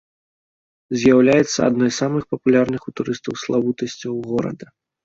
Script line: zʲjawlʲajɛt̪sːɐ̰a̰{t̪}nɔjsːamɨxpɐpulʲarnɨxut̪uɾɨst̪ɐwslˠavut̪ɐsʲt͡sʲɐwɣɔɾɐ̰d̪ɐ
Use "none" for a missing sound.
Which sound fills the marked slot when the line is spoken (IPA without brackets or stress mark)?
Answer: d̪